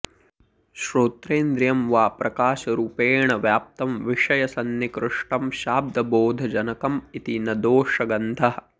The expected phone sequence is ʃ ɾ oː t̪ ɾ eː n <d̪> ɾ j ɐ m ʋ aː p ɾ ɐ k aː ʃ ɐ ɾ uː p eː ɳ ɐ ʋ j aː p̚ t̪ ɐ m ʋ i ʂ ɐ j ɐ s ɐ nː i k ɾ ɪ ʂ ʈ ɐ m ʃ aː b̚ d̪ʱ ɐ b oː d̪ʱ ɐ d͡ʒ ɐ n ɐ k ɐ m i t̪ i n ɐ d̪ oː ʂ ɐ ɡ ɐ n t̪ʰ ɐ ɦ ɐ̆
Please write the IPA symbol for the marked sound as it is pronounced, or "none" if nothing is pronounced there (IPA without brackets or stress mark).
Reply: d̪